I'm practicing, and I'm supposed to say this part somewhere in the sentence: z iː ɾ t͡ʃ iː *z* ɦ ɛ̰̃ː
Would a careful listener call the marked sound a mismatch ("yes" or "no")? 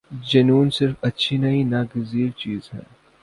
no